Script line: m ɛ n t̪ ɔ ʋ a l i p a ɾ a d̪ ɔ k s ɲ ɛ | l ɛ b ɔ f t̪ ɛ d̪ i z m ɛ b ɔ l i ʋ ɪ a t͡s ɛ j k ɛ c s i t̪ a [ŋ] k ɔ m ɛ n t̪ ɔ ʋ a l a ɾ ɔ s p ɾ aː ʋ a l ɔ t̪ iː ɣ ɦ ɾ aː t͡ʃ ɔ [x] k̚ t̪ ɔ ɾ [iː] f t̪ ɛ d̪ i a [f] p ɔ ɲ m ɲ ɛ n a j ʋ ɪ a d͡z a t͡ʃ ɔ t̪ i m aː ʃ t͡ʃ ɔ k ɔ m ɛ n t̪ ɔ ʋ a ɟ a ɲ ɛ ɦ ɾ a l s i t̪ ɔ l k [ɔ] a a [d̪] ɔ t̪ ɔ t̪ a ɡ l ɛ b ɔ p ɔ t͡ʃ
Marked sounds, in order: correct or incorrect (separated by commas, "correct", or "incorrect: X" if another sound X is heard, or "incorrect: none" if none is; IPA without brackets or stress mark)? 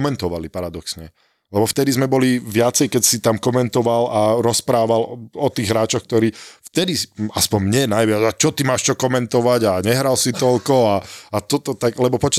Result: incorrect: m, correct, correct, incorrect: s, correct, incorrect: t̪